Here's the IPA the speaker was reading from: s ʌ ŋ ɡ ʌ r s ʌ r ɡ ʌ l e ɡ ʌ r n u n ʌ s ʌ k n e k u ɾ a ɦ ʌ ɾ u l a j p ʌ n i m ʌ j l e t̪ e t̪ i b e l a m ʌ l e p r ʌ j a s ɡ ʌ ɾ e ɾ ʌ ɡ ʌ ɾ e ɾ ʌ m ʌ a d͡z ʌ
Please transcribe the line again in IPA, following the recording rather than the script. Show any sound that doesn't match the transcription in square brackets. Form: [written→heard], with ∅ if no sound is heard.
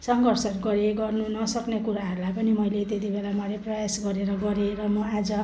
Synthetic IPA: s ʌ ŋ ɡ ʌ r s ʌ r ɡ ʌ [l→ɾ] e ɡ ʌ r n u n ʌ s ʌ k n e k u ɾ a ɦ ʌ ɾ u l a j p ʌ n i m ʌ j l e t̪ e t̪ i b e l a m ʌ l e p r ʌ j a s ɡ ʌ ɾ e ɾ ʌ ɡ ʌ ɾ e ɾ ʌ m ʌ a d͡z ʌ